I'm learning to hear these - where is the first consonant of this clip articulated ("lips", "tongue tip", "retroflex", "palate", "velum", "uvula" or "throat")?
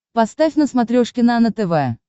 lips